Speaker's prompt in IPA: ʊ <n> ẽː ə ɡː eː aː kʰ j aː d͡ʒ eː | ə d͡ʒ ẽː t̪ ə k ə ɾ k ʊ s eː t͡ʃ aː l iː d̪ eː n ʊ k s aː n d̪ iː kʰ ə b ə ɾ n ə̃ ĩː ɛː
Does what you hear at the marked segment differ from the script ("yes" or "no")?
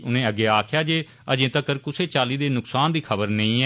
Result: no